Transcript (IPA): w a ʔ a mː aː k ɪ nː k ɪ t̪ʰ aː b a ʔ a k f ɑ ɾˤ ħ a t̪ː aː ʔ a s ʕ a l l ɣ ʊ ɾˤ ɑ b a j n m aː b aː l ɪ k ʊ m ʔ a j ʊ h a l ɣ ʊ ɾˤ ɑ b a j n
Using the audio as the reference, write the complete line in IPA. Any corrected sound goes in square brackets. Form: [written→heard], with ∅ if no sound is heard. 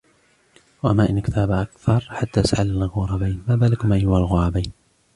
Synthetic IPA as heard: w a ʔ a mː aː [k→ʔ] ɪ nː k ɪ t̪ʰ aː b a ʔ a k [f→θ] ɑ ɾˤ ħ a t̪ː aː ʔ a s ʕ a l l ɣ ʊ ɾˤ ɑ b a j n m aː b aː l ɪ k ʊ m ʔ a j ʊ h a l ɣ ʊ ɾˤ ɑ b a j n